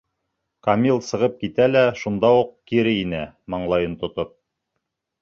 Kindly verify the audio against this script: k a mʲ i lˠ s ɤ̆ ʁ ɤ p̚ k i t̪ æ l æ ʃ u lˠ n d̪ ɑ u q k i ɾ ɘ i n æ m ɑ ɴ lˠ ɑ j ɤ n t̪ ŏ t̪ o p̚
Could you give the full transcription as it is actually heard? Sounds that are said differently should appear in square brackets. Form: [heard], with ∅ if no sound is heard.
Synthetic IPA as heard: k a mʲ i lˠ s ɤ̆ ʁ ɤ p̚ k i t̪ æ l æ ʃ u [∅] n d̪ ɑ u q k i ɾ ɘ i n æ m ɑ ɴ lˠ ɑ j ɤ n t̪ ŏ t̪ o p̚